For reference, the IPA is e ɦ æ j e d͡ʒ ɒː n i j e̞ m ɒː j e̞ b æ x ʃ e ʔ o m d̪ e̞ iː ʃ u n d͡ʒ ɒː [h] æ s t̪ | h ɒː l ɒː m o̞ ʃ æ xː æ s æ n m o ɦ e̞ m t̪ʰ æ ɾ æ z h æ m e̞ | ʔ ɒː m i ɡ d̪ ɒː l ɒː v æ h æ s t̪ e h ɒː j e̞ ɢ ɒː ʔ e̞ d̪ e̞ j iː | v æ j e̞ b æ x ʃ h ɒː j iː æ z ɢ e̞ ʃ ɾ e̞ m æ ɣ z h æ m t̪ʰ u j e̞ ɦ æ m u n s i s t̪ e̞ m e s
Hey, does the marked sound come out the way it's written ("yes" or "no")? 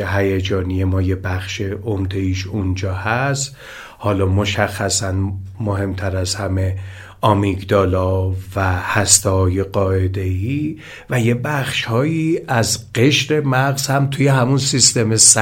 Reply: yes